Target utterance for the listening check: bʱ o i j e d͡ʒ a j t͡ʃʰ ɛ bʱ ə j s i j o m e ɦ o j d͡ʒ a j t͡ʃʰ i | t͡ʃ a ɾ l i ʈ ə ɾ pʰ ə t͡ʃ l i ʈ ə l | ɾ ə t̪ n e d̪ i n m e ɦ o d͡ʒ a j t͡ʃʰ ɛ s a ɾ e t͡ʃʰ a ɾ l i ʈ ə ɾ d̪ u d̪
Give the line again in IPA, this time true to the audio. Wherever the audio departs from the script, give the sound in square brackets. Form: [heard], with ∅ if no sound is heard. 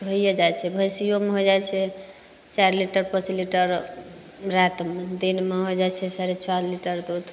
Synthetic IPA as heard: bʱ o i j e d͡ʒ a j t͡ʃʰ ɛ bʱ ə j s i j o m e ɦ o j d͡ʒ a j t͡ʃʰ [ɛ] | t͡ʃ a ɾ l i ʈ ə ɾ [p] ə t͡ʃ l i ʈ ə [ɾ] | ɾ [a] t̪ [m] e d̪ i n m e ɦ o d͡ʒ a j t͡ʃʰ ɛ s a ɾ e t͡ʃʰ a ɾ l i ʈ ə ɾ d̪ u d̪